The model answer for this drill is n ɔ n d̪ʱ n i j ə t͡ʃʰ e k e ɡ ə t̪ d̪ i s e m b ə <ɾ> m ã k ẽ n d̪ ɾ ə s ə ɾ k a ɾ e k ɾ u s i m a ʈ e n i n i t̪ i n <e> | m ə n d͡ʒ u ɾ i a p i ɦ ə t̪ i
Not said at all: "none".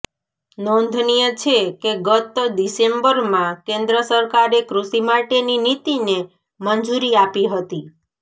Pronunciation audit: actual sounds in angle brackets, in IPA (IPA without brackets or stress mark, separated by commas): ɾ, e